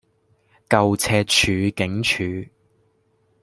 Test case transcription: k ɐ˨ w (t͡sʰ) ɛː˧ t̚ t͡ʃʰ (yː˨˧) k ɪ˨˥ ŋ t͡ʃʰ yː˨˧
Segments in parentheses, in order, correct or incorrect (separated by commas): correct, correct